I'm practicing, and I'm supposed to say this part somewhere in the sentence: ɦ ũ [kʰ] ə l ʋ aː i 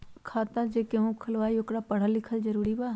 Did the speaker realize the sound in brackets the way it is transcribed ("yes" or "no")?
yes